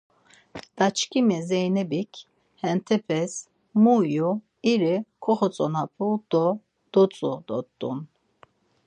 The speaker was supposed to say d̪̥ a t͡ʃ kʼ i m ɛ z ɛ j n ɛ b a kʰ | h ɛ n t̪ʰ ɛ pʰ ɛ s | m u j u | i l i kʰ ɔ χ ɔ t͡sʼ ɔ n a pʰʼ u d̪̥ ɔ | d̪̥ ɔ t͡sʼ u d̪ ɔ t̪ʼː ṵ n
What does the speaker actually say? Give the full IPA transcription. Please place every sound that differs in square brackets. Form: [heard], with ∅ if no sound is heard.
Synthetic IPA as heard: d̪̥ a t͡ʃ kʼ i m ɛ z ɛ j n ɛ b [i] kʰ | h ɛ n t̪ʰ ɛ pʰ ɛ s | m u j u | i [ɾ] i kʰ ɔ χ ɔ t͡sʼ ɔ n a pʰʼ u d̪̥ ɔ | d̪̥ ɔ t͡sʼ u d̪ ɔ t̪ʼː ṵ n